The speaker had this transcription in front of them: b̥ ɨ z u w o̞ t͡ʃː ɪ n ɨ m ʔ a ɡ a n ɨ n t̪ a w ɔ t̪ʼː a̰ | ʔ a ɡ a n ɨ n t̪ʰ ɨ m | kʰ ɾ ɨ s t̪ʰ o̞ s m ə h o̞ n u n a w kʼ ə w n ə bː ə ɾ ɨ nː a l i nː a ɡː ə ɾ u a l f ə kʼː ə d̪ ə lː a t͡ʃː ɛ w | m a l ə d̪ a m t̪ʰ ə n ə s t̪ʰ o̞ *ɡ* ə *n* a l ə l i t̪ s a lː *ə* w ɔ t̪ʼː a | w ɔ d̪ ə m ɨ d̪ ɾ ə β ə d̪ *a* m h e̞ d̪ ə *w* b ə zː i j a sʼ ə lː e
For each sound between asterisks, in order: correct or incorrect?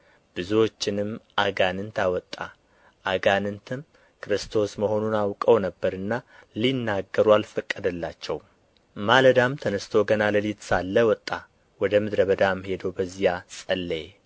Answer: correct, correct, correct, correct, correct

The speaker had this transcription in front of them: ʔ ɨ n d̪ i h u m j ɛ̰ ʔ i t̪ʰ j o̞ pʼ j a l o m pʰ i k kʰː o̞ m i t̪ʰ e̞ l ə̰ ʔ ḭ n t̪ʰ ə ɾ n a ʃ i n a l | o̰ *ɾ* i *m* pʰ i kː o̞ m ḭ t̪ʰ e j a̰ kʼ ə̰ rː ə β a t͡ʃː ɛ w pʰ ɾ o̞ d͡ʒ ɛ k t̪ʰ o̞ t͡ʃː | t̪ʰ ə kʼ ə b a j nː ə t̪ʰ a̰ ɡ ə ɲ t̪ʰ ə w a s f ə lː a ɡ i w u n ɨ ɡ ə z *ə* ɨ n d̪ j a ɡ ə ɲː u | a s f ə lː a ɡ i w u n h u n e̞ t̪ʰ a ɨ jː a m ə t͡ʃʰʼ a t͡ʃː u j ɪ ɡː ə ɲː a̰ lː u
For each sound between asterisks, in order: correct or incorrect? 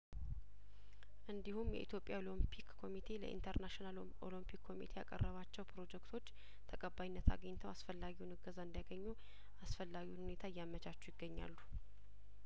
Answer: incorrect: l, correct, incorrect: a

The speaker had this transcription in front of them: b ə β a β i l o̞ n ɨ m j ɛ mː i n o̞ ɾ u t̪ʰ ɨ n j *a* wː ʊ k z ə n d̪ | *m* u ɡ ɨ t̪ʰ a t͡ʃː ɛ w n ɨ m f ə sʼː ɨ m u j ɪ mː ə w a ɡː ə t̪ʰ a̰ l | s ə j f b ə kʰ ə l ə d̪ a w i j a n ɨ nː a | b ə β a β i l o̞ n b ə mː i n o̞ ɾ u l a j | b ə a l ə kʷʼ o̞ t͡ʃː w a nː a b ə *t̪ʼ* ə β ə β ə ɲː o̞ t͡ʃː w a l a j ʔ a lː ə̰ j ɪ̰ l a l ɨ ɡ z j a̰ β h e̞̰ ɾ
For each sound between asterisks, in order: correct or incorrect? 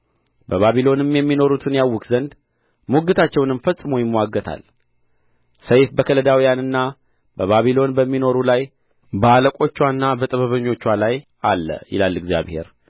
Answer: correct, correct, correct

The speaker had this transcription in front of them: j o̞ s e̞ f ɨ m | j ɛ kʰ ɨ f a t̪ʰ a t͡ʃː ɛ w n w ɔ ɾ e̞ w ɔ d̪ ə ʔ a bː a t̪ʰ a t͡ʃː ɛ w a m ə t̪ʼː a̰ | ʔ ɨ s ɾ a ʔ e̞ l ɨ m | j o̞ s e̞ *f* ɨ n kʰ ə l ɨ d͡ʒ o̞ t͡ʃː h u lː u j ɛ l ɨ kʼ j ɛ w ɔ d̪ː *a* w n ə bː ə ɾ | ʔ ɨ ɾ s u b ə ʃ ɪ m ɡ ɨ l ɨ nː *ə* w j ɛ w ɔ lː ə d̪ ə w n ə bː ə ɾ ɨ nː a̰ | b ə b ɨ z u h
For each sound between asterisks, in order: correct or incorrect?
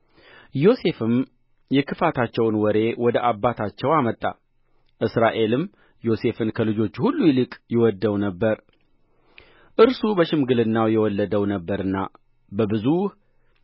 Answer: correct, incorrect: ə, incorrect: a

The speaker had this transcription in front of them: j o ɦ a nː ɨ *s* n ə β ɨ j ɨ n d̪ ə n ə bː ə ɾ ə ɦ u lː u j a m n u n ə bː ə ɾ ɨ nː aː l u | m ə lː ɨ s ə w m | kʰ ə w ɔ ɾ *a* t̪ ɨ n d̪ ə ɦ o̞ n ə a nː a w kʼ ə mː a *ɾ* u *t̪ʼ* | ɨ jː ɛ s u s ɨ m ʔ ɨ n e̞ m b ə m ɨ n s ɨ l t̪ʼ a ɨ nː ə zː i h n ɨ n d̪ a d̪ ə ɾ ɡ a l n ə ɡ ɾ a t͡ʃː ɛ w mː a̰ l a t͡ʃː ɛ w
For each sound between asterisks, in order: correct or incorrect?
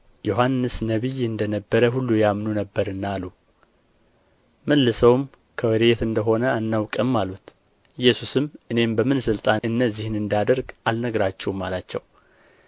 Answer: correct, incorrect: e, incorrect: l, incorrect: t̪

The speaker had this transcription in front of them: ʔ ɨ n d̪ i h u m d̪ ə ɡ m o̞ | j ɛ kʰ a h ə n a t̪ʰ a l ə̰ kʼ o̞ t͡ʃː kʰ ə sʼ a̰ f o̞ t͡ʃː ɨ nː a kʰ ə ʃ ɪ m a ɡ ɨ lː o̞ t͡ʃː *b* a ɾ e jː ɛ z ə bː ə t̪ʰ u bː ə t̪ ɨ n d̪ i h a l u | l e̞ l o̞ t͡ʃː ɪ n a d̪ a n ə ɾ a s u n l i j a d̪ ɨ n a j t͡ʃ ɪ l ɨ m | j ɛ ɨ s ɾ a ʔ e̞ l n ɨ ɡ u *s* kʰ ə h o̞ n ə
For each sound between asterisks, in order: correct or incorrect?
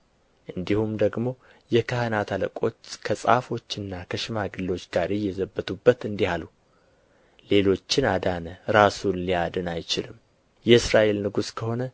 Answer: incorrect: ɡ, correct

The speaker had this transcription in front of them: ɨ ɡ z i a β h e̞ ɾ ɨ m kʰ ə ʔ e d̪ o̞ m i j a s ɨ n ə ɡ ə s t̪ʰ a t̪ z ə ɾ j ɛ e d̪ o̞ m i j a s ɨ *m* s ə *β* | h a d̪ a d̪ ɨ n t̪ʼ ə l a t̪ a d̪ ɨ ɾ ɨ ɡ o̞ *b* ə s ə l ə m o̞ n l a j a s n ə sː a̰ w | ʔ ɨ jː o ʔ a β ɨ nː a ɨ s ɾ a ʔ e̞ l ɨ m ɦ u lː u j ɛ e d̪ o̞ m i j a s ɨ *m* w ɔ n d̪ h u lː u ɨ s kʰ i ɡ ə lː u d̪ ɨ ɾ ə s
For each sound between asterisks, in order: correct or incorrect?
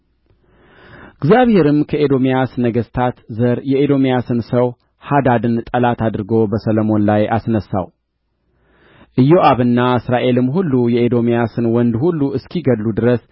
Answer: incorrect: n, incorrect: w, correct, incorrect: n

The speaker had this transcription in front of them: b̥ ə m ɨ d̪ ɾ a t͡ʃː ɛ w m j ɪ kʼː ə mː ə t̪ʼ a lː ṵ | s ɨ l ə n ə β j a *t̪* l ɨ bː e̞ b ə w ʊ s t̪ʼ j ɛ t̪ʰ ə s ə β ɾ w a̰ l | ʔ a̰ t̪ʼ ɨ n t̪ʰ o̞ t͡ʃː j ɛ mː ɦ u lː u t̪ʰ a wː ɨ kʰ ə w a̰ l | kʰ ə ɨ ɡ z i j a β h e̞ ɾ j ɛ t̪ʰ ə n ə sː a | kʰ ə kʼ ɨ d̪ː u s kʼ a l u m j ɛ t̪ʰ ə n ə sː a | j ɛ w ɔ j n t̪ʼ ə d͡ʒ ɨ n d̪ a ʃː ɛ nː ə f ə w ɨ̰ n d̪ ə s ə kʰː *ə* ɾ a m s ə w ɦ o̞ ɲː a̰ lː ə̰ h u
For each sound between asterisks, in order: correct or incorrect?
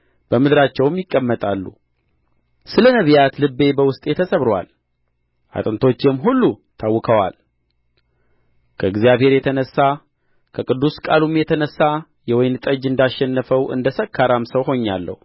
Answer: correct, incorrect: a

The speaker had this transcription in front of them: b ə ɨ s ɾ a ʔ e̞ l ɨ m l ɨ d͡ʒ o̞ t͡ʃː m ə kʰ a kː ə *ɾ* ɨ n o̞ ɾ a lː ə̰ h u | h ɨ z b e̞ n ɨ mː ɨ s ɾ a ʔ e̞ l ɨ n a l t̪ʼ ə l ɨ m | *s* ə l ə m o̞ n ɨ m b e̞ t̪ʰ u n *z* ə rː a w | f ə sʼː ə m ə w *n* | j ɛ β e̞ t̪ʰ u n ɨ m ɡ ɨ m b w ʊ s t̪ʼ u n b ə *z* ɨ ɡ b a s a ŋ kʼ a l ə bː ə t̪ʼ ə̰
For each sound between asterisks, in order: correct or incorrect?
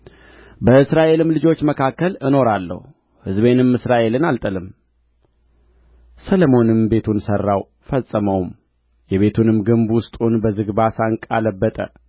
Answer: incorrect: l, correct, incorrect: s, incorrect: m, correct

